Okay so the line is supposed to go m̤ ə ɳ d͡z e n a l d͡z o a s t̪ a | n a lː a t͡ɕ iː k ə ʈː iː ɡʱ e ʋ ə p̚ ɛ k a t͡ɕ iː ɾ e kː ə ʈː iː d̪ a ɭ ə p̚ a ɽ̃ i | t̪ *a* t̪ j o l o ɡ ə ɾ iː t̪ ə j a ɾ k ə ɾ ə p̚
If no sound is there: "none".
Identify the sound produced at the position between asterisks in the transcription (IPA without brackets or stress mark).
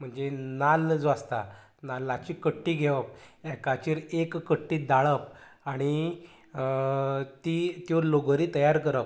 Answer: i